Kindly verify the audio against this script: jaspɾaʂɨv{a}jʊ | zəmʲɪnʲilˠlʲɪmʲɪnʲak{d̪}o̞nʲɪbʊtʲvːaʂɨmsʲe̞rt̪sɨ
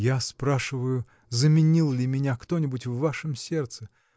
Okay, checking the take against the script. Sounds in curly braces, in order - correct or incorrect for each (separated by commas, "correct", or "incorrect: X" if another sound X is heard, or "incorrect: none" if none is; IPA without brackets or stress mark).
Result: incorrect: ə, incorrect: t̪